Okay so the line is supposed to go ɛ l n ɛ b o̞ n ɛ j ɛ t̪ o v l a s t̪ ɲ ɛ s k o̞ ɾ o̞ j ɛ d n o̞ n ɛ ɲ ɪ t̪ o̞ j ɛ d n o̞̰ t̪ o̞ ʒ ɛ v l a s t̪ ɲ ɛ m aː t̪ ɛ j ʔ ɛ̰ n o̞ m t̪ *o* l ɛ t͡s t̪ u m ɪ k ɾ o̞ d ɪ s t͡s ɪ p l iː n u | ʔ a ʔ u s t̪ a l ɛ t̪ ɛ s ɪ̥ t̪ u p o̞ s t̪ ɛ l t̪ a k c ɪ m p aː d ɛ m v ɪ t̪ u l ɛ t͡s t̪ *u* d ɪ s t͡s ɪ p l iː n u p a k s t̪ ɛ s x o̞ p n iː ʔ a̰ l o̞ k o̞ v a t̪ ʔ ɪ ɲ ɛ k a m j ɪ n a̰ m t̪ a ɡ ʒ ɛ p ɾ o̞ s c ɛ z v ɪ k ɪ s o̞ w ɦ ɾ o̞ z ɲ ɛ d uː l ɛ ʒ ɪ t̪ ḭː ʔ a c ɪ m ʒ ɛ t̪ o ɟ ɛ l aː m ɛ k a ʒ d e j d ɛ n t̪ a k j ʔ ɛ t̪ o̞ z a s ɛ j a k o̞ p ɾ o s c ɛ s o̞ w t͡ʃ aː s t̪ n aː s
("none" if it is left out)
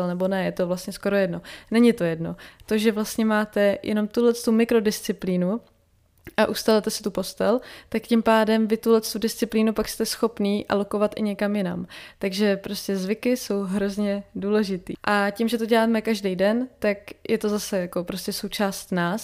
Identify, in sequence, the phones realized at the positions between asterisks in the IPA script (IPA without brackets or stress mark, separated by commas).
u, u